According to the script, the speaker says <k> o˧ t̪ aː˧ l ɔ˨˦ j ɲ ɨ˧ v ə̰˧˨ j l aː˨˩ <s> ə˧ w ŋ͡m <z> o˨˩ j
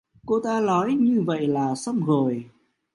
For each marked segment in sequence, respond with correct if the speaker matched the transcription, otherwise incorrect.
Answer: correct, correct, incorrect

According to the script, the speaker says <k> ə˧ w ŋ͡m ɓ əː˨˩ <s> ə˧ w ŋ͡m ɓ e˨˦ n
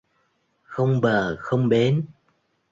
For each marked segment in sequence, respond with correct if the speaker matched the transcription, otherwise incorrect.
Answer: incorrect, incorrect

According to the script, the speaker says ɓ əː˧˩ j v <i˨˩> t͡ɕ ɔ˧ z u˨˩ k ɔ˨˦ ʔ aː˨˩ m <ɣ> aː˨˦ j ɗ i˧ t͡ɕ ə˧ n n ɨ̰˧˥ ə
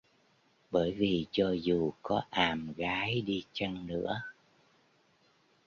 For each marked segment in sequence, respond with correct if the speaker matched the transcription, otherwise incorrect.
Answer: correct, correct

